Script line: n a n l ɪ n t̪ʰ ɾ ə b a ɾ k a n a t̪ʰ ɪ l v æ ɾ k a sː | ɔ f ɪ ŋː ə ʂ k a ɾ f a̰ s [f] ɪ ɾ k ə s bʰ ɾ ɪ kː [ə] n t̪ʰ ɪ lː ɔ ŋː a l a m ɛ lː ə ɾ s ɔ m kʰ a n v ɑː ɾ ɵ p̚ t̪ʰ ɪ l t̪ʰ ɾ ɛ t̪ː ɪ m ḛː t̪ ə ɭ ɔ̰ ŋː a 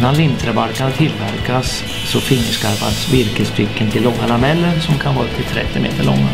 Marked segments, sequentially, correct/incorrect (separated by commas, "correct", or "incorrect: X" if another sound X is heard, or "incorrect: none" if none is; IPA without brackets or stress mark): incorrect: v, correct